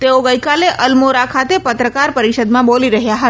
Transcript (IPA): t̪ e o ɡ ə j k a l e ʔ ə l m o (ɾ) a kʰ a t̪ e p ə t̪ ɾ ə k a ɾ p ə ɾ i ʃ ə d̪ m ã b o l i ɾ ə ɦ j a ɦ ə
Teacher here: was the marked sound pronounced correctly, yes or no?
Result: yes